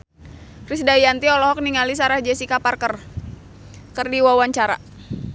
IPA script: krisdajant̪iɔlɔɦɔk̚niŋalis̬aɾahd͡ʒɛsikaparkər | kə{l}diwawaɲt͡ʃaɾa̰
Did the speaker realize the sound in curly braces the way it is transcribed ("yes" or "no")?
no